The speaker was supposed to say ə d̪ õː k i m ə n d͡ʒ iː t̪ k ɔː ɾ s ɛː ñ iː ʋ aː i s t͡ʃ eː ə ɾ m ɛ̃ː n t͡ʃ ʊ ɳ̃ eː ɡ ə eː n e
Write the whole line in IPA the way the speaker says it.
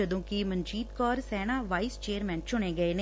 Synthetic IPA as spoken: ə d̪ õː k i m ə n d͡ʒ iː t̪ k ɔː ɾ s ɛː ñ aː ʋ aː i s t͡ʃ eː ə ɾ m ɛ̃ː n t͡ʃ ʊ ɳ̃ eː ɡ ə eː n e